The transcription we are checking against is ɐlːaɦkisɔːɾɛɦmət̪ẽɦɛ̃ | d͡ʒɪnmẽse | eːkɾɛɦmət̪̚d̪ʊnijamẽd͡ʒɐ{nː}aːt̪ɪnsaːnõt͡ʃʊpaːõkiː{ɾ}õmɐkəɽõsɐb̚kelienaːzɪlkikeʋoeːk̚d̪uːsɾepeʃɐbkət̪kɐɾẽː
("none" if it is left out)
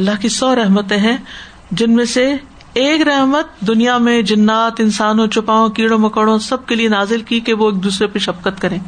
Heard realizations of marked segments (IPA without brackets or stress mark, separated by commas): nː, ɽ